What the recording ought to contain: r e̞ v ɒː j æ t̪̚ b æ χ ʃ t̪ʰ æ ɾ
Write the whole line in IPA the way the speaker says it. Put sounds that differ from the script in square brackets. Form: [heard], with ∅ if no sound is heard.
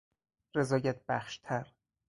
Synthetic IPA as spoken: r e̞ [z] ɒː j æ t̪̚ b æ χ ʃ t̪ʰ æ ɾ